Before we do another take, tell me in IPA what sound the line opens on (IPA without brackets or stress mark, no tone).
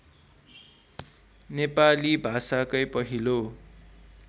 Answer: n